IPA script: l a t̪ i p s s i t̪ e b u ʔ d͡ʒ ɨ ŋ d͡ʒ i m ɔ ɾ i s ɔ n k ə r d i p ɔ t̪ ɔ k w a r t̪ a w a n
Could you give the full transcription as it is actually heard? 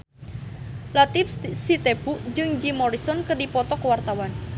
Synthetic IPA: l a t̪ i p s s i t̪ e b u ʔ d͡ʒ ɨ ŋ d͡ʒ i m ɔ ɾ i s ɔ n k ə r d i p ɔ t̪ ɔ k w a r t̪ a w a n

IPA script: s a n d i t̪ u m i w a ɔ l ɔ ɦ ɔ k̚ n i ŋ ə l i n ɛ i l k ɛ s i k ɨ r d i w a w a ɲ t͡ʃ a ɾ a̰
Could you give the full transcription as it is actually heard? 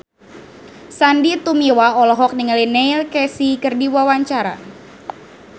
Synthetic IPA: s a n d i t̪ u m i w a ɔ l ɔ ɦ ɔ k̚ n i ŋ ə l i n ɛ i l k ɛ s i k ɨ r d i w a w a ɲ t͡ʃ a ɾ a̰

